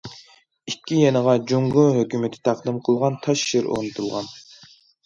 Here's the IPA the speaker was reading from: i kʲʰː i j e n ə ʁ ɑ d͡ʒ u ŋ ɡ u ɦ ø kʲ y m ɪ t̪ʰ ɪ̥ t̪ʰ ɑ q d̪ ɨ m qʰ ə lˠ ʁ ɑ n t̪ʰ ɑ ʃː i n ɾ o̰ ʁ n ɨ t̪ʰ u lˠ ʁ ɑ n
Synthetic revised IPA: i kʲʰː i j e n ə ʁ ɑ d͡ʒ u ŋ ɡ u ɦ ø kʲ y m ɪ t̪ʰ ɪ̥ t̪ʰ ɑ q d̪ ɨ m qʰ ə lˠ ʁ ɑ n t̪ʰ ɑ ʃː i ɾ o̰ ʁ n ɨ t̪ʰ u lˠ ʁ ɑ n